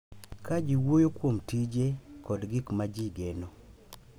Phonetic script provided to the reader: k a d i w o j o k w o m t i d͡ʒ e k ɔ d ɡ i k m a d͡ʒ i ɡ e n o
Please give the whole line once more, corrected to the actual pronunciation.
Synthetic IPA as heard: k a d͡ʒ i w o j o k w o m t i d͡ʒ e k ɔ d ɡ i k m a d͡ʒ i ɡ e n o